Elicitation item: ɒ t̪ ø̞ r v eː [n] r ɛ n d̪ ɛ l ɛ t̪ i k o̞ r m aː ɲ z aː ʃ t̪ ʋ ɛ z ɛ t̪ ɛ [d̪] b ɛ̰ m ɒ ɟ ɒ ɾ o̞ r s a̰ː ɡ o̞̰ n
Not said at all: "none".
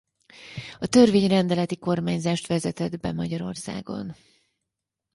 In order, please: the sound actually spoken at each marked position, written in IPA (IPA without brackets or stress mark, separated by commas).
ɲ, d̪